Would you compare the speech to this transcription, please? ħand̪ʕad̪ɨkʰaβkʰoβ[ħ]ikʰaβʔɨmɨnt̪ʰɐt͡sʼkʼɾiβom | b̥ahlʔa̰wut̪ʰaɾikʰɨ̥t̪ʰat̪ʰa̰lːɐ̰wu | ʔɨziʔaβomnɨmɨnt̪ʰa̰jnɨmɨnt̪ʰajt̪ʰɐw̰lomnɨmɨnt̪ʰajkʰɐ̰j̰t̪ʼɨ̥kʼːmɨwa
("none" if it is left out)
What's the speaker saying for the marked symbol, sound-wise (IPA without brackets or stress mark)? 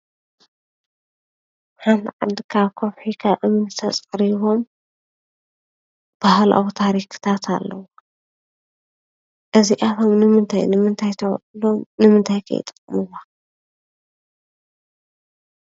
ħ